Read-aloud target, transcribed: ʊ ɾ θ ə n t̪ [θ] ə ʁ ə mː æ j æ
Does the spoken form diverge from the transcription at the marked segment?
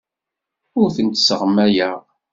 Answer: yes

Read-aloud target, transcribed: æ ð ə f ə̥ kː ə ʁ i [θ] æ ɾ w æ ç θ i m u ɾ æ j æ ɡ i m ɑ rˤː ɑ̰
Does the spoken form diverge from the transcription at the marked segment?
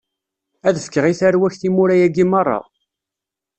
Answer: no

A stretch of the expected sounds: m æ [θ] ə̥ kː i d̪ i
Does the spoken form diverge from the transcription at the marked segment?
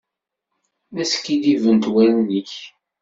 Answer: yes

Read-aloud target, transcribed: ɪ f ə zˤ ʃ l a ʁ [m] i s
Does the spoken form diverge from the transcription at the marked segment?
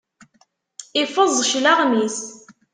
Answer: no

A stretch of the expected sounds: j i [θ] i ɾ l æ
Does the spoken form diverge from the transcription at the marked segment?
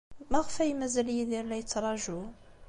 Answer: yes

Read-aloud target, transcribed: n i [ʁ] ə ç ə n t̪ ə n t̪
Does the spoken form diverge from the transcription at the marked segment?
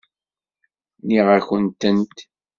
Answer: no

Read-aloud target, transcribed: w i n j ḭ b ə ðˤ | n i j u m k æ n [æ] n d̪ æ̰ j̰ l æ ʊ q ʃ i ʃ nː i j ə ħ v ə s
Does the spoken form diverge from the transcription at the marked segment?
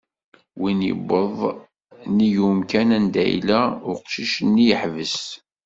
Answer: no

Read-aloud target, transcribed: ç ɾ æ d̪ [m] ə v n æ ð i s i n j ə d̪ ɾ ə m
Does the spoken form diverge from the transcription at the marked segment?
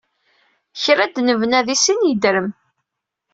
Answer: yes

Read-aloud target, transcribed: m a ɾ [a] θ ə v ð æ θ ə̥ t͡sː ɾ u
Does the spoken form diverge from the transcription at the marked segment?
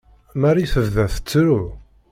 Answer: yes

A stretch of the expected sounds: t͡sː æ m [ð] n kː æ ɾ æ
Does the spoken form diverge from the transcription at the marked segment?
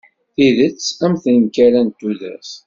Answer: yes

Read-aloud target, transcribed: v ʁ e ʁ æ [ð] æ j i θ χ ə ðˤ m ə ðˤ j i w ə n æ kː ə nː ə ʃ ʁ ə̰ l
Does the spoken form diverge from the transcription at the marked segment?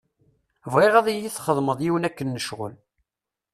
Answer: no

